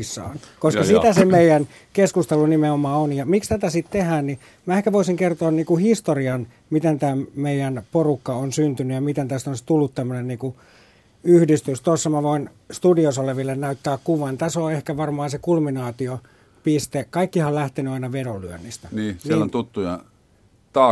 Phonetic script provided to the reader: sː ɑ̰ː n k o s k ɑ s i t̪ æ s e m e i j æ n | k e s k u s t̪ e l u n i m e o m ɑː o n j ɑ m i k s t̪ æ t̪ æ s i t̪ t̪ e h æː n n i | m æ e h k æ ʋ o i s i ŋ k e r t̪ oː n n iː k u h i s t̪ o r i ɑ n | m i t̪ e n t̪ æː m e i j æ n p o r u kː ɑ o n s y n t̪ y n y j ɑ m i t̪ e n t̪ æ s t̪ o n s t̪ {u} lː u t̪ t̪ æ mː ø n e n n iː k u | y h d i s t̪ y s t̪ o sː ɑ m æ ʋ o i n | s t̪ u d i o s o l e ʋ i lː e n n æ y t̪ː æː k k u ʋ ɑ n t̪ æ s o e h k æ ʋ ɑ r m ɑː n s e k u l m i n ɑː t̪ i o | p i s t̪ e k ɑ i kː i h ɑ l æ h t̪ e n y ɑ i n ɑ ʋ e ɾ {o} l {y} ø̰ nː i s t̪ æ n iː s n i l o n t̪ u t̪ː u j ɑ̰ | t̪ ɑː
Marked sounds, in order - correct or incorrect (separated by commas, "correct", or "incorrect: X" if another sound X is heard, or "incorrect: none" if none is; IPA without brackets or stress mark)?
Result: correct, correct, correct